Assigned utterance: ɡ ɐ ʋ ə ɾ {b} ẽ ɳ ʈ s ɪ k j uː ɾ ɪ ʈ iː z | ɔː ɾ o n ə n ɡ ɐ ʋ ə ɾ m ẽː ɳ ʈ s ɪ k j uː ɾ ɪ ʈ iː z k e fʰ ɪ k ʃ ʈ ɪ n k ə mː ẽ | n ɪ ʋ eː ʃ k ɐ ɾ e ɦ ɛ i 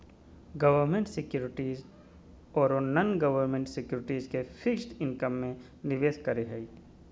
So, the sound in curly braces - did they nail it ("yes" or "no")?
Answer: no